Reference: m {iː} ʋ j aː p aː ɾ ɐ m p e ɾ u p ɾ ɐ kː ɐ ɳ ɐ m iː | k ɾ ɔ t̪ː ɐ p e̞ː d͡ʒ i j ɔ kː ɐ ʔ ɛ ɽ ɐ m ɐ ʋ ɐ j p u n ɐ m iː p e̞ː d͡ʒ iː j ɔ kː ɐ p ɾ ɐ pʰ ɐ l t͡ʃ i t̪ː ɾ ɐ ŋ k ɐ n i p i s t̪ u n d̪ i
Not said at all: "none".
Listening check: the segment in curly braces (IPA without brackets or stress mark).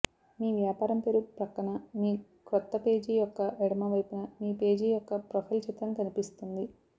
iː